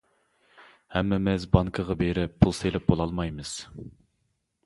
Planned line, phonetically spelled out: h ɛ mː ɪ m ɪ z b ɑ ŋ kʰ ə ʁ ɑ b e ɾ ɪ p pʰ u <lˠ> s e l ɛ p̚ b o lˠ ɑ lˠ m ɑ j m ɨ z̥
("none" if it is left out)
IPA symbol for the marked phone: lˠ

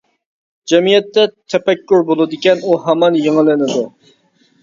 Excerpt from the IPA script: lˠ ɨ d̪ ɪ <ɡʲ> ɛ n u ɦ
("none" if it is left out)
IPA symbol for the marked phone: kʲ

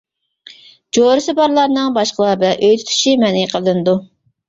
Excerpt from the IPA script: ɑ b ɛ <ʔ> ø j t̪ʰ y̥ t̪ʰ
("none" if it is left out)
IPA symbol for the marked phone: ʔ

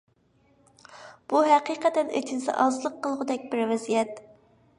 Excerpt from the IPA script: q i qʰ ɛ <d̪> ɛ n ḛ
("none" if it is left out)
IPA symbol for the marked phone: t̪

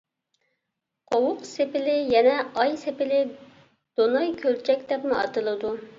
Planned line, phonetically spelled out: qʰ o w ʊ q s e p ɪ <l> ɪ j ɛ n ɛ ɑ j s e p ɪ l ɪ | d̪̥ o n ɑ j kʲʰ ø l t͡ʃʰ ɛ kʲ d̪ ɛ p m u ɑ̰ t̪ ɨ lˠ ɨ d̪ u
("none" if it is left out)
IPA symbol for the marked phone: l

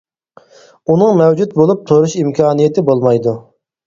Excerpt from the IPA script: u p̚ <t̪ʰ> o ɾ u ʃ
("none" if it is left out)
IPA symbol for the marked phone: t̪ʰ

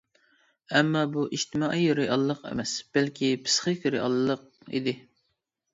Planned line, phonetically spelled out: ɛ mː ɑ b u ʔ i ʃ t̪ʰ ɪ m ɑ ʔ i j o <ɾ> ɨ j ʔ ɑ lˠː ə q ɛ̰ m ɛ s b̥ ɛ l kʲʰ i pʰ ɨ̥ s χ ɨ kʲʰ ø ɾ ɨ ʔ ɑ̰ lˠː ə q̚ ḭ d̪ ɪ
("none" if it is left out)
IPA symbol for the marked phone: ɾ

